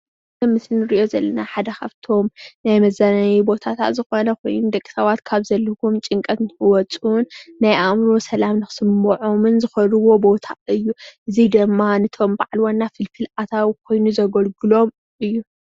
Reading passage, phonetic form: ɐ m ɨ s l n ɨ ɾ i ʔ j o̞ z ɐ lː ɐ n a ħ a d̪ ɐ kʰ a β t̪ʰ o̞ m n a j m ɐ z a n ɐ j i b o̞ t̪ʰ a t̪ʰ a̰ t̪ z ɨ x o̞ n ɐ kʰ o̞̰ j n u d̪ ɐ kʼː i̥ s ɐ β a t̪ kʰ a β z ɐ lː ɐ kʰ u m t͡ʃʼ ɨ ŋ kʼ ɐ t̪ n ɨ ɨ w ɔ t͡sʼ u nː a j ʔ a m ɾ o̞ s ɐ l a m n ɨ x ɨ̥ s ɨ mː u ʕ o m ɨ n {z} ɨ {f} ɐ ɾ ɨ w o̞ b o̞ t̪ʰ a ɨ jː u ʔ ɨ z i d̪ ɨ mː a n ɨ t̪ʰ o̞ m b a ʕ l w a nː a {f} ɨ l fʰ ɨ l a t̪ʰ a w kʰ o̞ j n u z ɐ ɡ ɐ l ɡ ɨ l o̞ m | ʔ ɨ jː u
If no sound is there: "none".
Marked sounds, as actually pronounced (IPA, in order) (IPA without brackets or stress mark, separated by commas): z, x, f